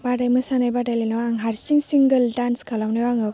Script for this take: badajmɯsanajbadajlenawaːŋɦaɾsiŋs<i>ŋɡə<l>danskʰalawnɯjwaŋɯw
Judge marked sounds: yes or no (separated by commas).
yes, yes